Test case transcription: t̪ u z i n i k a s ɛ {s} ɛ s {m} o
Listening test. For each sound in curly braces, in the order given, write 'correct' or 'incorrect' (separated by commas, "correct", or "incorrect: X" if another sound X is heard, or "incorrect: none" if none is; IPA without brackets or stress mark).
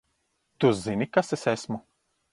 correct, correct